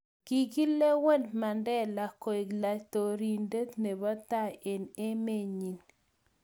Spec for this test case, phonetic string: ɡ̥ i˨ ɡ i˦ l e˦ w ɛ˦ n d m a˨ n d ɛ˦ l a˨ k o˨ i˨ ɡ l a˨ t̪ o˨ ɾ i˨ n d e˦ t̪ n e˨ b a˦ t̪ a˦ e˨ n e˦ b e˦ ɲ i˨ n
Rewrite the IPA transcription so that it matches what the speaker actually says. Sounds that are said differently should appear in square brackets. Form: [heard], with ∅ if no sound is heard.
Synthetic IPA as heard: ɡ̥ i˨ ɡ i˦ l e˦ w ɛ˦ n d m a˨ n d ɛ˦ l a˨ k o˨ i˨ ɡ l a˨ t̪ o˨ ɾ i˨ n d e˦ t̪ n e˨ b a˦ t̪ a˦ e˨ n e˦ [m] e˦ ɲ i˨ n

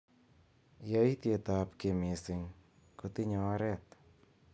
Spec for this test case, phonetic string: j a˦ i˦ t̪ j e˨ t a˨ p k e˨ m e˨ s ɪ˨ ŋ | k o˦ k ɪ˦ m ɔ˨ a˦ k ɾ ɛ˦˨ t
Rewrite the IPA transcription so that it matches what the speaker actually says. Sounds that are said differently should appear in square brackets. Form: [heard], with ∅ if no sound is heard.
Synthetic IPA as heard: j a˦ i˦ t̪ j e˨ t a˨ p k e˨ m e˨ s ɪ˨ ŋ | k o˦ [t] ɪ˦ [ɲ] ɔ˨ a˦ [∅] ɾ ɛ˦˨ t

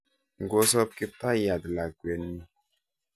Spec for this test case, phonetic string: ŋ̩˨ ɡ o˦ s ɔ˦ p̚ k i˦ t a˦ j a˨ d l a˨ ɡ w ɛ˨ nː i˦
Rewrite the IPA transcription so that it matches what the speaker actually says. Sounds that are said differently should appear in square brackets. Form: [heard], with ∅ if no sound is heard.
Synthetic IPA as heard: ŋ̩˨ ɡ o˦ s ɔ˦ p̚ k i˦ t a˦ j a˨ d l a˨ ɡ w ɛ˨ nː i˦

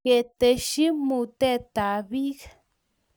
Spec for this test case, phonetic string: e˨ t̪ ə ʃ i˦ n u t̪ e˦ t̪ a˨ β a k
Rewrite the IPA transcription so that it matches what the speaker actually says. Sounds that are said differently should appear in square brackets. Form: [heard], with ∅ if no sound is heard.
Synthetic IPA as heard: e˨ t̪ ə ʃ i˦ [m] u t̪ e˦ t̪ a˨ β [i] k

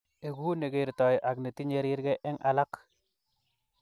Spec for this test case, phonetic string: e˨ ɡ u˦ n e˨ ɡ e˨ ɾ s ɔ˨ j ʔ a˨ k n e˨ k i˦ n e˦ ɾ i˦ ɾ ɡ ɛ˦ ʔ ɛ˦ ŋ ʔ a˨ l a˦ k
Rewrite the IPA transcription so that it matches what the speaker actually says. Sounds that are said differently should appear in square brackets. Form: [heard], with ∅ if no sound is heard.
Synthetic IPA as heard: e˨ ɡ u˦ n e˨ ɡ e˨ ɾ [t] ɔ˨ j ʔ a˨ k n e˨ [t] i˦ [ɲ] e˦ ɾ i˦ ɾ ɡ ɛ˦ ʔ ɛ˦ ŋ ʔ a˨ l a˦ k

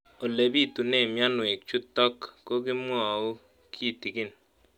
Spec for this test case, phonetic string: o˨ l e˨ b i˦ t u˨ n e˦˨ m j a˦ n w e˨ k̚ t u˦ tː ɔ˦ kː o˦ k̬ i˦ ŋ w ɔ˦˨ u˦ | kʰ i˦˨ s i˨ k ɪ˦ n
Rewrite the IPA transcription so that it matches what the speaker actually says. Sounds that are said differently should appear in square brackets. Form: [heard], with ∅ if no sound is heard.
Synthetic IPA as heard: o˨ l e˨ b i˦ t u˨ n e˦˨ m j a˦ n w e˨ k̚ [t͡ʃ] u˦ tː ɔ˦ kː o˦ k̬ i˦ [m] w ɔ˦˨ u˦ | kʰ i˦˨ [t] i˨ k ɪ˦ n

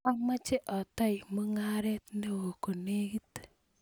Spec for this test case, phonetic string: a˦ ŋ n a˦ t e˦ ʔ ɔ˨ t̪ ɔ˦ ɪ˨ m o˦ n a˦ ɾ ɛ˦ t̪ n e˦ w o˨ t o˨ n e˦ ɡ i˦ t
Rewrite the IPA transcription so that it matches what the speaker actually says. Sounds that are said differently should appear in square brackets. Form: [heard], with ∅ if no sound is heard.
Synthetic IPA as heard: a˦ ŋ [m] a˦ [t͡ʃ] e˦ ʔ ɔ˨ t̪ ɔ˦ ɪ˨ m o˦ [ŋ] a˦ ɾ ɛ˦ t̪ n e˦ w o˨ [k] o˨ n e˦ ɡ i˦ t

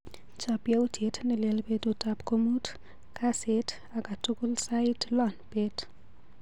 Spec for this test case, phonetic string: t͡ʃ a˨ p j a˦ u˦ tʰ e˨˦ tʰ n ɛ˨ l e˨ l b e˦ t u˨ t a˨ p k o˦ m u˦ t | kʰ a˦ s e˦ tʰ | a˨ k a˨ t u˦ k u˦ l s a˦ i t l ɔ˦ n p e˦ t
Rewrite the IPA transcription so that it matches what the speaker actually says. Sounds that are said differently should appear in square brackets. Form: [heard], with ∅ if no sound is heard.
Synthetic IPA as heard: t͡ʃ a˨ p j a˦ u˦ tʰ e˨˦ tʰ n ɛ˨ l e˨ l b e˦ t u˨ t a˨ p k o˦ m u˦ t | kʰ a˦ s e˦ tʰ | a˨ k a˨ t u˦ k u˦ l s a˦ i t l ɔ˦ n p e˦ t

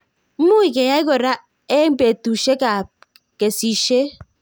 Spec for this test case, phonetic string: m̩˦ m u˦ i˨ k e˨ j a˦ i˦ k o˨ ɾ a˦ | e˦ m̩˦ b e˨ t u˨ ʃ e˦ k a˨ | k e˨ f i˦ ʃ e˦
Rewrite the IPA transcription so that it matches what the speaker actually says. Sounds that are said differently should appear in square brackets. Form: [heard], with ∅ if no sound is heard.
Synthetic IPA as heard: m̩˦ m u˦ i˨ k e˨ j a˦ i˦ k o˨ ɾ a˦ | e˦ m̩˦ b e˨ t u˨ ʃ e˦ k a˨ | k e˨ [s] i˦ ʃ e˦

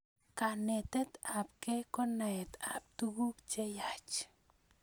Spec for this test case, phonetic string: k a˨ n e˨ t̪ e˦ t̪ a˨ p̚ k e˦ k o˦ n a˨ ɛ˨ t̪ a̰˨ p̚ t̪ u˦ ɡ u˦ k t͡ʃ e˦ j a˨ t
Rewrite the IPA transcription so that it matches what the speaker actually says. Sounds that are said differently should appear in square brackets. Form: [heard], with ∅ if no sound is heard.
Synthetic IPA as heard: k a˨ n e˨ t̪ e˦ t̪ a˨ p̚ k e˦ k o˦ n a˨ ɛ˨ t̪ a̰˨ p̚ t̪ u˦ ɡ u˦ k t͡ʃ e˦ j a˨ [t͡ʃ]

